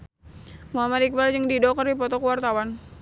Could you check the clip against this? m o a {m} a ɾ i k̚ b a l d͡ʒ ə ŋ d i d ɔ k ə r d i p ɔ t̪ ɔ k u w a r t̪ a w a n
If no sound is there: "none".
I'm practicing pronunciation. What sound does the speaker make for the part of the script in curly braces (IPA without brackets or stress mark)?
m